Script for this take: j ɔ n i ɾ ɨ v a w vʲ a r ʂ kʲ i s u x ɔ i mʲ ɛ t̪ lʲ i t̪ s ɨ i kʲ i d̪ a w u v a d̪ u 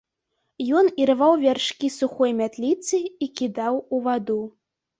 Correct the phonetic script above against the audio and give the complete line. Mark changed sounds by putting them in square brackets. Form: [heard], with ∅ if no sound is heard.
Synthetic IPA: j ɔ n i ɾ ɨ v a w vʲ a r ʂ kʲ i s u x ɔ [j] mʲ [a] t̪ lʲ i t̪ s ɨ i kʲ i d̪ a w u v a d̪ u